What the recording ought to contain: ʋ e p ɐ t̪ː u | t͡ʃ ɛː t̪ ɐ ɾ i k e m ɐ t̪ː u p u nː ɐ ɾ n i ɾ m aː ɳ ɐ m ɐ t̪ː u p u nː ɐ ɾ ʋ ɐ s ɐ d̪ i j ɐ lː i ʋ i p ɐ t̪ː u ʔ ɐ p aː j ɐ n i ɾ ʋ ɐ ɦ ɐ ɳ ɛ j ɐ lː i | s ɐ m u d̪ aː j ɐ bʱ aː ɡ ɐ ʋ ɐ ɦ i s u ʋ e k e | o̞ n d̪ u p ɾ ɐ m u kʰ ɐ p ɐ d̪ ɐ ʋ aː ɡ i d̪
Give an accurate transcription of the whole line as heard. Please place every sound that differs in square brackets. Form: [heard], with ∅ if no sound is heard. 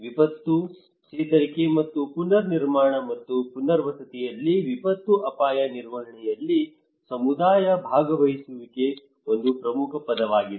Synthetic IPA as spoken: ʋ [i] p ɐ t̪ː u | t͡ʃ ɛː t̪ ɐ ɾ i k e m ɐ t̪ː u p u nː ɐ ɾ n i ɾ m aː ɳ ɐ m ɐ t̪ː u p u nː ɐ ɾ ʋ ɐ s ɐ [t̪] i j ɐ lː i ʋ i p ɐ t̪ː u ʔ ɐ p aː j ɐ n i ɾ ʋ ɐ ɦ ɐ ɳ ɛ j ɐ lː i | s ɐ m u d̪ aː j ɐ bʱ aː ɡ ɐ ʋ ɐ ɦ i s u ʋ [i] k e | o̞ n d̪ u p ɾ ɐ m u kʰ ɐ p ɐ d̪ ɐ ʋ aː ɡ i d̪